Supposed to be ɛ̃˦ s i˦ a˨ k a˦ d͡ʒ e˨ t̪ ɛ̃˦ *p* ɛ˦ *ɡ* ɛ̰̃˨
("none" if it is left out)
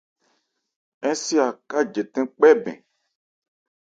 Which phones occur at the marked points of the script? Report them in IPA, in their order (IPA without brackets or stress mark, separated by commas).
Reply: k͡p, b